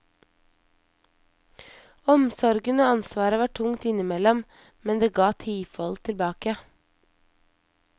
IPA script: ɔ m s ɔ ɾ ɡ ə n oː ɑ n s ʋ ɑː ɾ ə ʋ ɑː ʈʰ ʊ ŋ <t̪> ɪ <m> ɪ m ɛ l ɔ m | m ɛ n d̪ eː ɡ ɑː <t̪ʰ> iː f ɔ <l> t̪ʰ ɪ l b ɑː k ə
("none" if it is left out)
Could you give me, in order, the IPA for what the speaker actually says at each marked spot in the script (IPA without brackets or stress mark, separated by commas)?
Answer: t̪, n, t̪ʰ, l